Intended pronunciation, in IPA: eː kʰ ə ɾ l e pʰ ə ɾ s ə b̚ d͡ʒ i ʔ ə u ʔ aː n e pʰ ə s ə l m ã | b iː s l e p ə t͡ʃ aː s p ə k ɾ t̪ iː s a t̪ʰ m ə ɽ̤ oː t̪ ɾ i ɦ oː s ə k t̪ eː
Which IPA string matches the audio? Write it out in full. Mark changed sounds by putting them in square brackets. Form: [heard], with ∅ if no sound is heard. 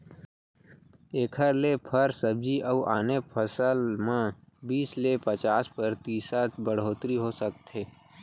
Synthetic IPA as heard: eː kʰ ə ɾ l e pʰ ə ɾ s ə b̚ d͡ʒ i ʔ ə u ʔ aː n e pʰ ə s ə l m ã | b iː s l e p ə t͡ʃ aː s p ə [∅] ɾ t̪ iː s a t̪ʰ [b] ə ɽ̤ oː t̪ ɾ i ɦ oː s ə k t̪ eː